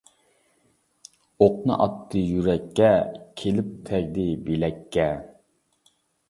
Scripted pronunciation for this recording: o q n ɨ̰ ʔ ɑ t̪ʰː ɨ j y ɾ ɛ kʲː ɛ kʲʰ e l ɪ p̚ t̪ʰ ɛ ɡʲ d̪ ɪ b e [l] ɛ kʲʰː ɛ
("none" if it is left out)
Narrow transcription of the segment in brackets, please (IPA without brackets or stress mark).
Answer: l